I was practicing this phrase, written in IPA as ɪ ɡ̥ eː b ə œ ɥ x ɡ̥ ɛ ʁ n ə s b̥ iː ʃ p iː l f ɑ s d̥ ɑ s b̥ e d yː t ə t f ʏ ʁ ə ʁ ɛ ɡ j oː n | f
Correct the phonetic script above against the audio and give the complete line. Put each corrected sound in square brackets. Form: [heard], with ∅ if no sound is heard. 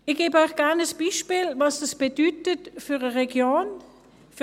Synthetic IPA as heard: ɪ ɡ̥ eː b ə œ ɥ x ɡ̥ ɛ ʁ n ə s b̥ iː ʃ p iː l [v] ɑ s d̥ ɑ s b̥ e d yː t ə t f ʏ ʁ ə ʁ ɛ ɡ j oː n | f